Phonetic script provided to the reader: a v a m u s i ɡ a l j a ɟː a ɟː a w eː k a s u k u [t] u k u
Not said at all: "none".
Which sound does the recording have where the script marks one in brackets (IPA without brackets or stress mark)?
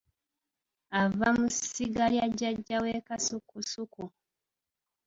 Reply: s